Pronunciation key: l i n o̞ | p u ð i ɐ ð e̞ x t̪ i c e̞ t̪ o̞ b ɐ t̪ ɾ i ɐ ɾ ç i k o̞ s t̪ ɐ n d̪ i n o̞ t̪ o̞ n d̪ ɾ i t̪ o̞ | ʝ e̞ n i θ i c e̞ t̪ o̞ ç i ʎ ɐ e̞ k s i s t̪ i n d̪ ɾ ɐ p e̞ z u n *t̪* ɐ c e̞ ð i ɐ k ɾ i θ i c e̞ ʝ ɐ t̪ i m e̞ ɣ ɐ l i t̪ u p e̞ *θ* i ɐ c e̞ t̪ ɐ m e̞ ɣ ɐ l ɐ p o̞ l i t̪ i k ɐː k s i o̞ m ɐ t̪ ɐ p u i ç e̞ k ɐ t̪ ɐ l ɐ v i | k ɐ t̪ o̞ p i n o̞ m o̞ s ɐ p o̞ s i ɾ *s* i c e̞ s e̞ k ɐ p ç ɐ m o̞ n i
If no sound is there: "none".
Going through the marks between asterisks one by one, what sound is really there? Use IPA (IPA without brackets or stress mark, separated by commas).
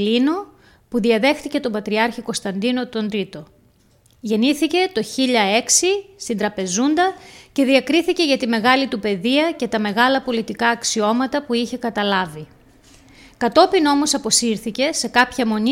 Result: d̪, ð, θ